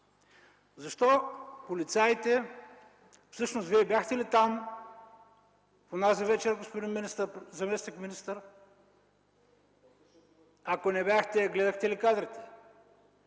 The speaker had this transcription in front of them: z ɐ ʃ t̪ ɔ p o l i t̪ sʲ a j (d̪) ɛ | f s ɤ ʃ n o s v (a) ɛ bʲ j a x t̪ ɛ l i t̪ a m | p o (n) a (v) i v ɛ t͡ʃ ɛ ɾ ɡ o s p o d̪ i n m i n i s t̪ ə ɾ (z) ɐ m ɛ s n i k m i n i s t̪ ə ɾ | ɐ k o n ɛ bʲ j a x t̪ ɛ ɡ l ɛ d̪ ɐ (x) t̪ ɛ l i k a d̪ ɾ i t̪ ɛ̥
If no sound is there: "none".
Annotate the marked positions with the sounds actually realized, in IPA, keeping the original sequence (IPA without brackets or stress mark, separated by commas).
t̪, i, n, z, z, x